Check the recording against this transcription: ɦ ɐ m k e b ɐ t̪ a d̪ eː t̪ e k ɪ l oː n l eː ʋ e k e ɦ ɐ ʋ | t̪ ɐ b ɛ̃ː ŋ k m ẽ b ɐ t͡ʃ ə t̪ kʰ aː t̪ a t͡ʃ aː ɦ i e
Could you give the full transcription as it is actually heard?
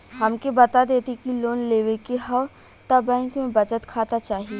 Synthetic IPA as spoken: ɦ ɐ m k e b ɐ t̪ a d̪ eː t̪ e k i l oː n l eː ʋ e k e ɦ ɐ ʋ | t̪ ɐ b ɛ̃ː ŋ k m ẽ b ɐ t͡ʃ ə t̪ kʰ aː t̪ a t͡ʃ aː ɦ i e